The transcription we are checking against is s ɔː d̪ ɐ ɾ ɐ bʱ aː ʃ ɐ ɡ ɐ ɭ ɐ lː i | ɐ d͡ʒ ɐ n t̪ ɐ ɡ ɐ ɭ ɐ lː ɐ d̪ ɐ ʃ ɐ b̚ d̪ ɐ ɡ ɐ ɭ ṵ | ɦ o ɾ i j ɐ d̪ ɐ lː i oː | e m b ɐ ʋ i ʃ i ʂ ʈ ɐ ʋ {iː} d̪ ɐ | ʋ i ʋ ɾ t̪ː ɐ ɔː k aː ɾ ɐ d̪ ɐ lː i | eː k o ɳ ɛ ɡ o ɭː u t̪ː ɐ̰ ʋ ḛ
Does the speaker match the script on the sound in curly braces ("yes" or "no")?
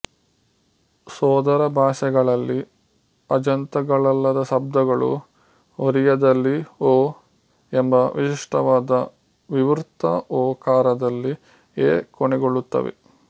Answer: no